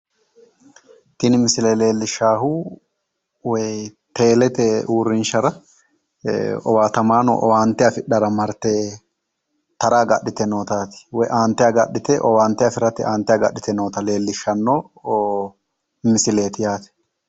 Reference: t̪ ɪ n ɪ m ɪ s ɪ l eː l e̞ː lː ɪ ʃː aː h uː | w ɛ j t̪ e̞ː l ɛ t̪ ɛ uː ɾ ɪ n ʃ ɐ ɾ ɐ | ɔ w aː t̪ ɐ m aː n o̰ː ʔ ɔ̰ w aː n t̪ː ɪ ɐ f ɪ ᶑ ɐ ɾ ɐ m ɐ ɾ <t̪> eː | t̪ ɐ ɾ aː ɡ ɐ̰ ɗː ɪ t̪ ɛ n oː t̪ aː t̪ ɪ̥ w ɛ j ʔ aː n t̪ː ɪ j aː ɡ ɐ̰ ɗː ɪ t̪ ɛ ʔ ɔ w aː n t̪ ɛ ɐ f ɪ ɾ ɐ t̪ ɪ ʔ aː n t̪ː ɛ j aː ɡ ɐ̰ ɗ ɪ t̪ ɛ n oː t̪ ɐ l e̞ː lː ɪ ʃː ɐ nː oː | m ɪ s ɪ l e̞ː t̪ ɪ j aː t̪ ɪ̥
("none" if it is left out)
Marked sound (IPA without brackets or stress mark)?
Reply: t̪